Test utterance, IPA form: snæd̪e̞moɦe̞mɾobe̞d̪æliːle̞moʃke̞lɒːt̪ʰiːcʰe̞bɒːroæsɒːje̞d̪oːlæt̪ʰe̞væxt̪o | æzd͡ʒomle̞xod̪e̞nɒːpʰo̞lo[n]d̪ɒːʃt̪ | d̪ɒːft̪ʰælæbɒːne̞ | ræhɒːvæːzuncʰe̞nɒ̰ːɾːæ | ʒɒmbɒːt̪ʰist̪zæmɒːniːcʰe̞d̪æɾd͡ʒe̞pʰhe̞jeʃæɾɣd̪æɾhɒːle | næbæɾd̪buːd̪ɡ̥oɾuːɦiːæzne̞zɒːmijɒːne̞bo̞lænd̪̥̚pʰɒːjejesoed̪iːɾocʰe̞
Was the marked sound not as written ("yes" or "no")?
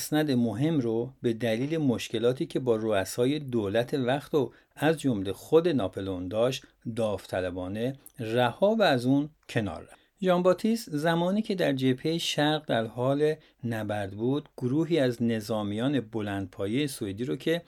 no